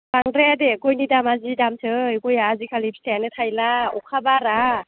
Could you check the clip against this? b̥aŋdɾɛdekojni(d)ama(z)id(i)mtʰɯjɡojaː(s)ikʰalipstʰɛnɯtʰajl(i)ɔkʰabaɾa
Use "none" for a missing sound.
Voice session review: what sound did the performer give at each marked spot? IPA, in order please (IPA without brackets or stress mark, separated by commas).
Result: d, z, a, z, a